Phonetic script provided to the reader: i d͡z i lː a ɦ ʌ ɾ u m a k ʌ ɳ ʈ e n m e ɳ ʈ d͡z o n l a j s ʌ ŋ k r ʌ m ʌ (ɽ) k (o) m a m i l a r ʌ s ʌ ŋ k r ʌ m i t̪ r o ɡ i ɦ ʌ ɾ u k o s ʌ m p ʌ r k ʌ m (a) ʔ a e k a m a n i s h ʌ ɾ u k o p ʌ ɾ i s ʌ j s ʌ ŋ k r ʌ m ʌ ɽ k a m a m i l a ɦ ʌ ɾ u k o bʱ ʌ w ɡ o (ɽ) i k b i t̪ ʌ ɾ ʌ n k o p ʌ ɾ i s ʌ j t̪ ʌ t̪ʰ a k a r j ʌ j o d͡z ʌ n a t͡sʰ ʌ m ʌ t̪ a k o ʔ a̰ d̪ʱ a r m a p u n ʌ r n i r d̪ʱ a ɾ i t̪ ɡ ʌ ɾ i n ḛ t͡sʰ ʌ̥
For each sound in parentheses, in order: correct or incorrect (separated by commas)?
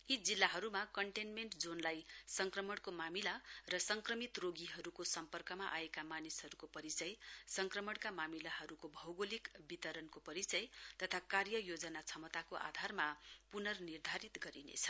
correct, correct, correct, incorrect